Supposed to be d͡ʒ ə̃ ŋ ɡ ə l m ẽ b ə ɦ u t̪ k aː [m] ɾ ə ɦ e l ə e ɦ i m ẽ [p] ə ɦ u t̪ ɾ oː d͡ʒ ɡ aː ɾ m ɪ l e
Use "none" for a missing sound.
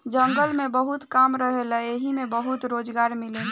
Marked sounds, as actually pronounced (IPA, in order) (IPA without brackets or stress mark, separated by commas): m, b